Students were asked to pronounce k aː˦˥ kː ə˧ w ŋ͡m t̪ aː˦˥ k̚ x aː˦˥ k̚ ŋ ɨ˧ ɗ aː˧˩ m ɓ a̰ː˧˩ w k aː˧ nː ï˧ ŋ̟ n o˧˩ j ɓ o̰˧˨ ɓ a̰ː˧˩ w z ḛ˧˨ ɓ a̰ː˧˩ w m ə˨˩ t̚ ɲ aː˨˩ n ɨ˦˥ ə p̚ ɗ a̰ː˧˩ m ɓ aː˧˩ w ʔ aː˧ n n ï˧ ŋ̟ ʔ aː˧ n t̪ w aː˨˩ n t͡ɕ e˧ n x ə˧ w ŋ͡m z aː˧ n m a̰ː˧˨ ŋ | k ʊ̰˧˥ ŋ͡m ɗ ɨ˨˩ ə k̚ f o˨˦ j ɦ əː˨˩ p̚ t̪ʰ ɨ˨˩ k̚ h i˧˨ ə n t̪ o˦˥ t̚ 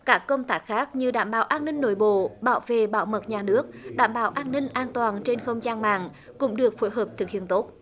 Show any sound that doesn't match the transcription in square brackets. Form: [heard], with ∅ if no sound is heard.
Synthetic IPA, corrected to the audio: k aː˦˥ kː ə˧ w ŋ͡m t̪ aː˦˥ k̚ x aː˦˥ k̚ [ɲ] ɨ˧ ɗ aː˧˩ m ɓ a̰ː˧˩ w [ʔ] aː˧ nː ï˧ ŋ̟ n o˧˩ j ɓ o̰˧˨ ɓ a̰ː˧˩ w [v] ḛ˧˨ ɓ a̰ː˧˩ w m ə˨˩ t̚ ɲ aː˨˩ n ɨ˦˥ ə [k̚] ɗ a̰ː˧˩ m ɓ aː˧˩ w ʔ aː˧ n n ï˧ ŋ̟ ʔ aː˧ n t̪ w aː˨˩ n t͡ɕ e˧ n x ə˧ w ŋ͡m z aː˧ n m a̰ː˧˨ ŋ | k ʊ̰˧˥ ŋ͡m ɗ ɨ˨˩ ə k̚ f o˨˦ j ɦ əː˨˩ p̚ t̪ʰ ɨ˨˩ k̚ h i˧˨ ə n t̪ o˦˥ t̚